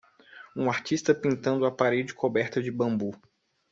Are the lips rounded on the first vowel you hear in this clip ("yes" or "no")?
yes